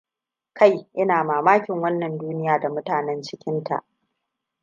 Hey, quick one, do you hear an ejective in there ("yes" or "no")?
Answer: no